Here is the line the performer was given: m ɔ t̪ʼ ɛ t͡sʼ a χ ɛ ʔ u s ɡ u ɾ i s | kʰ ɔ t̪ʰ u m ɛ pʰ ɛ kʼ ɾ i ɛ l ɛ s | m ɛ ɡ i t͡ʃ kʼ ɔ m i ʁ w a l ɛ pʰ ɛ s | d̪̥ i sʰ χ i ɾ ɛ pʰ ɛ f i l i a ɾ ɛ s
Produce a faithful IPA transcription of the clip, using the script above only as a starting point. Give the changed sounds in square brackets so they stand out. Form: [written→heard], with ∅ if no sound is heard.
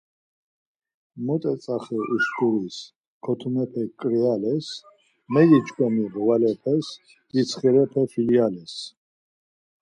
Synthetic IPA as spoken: m ɔ t̪ʼ ɛ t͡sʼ a χ ɛ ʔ u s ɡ u ɾ i s | kʰ ɔ t̪ʰ u m ɛ pʰ ɛ kʼ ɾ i [ɛ→a] l ɛ s | m ɛ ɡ i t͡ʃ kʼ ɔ m i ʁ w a l ɛ pʰ ɛ s | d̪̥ i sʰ χ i ɾ ɛ pʰ ɛ f i l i a [ɾ→l] ɛ s